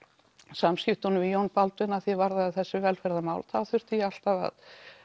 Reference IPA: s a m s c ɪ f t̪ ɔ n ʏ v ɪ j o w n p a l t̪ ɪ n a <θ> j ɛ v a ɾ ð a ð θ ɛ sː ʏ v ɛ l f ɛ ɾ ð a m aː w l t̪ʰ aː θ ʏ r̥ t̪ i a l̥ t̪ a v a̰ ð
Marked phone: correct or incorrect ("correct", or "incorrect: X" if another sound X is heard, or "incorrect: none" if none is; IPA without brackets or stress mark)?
correct